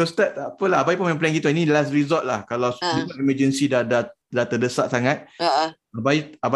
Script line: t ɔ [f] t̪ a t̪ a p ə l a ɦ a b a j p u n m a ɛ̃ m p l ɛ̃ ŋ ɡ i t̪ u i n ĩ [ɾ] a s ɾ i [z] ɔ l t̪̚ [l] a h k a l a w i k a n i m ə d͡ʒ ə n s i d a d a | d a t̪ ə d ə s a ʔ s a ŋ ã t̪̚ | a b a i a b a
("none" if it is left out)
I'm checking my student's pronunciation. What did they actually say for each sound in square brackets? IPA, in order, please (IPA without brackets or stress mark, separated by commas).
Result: s, l, z, l